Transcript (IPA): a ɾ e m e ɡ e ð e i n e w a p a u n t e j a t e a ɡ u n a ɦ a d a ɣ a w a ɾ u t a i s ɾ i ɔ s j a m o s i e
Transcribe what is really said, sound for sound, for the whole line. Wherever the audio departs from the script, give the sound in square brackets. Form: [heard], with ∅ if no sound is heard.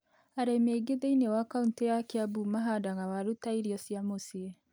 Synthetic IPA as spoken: a ɾ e m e ɡ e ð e i n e w a [k] a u n t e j a [k] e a [b] u [m] a ɦ a d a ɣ a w a ɾ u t a i [∅] ɾ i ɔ s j a m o s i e